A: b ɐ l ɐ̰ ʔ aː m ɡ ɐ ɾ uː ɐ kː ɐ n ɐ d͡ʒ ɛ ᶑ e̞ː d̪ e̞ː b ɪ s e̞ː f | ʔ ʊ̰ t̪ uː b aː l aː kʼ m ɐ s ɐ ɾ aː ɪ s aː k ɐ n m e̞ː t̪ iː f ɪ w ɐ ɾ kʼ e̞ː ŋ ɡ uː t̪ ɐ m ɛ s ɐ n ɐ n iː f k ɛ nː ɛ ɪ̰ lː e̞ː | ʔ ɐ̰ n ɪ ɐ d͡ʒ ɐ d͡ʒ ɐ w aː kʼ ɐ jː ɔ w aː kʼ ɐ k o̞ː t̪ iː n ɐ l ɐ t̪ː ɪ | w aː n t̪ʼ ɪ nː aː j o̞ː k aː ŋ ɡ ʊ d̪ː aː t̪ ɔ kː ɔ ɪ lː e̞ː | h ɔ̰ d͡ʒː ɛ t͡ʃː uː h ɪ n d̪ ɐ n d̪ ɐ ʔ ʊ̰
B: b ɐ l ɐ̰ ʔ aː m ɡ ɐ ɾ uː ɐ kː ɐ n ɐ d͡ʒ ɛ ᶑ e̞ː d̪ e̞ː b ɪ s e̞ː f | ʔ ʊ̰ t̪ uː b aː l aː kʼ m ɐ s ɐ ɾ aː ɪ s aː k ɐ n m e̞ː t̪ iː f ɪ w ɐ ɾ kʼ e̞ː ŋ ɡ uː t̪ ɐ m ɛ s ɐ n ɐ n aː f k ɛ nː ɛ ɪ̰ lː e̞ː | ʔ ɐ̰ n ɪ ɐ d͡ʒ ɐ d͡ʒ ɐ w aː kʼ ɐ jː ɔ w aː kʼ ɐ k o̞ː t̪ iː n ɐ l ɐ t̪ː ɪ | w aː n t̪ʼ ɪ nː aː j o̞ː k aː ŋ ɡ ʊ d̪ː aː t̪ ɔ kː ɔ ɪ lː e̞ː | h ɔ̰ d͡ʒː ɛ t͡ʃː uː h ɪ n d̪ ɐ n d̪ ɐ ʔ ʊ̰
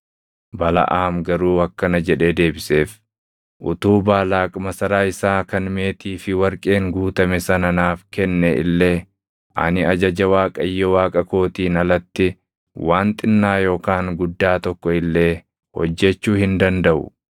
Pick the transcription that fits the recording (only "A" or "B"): B